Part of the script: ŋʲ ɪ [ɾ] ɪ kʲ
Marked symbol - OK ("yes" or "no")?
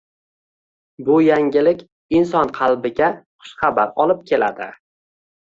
no